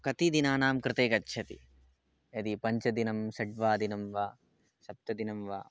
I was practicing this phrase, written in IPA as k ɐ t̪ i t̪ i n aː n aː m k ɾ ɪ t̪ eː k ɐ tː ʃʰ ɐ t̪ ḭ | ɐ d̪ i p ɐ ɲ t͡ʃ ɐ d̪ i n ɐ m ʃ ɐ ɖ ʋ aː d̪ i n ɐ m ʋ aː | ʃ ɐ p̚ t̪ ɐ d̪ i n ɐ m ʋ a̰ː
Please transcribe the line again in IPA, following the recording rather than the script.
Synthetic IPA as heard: k ɐ t̪ i d̪ i n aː n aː m k ɾ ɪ t̪ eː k ɐ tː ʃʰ ɐ t̪ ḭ | ɐ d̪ i p ɐ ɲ t͡ʃ ɐ d̪ i n ɐ m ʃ ɐ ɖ ʋ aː d̪ i n ɐ m ʋ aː | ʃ ɐ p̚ t̪ ɐ d̪ i n ɐ m ʋ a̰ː